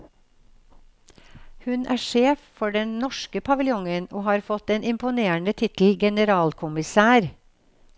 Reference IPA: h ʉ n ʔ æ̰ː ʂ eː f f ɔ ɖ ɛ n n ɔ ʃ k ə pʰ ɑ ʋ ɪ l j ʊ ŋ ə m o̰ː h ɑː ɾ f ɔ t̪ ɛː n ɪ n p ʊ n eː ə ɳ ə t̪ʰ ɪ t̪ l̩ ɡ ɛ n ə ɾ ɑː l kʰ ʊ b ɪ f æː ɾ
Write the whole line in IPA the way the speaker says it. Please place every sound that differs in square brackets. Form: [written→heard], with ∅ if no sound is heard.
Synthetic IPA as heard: h ʉ n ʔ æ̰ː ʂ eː f f ɔ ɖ ɛ n n ɔ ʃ k ə pʰ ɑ ʋ ɪ l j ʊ ŋ ə [m→n] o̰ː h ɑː ɾ f ɔ t̪ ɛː n ɪ [n→m] p ʊ n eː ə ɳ ə t̪ʰ ɪ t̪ l̩ ɡ ɛ n ə ɾ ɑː l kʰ ʊ [b→m] ɪ [f→s] æː ɾ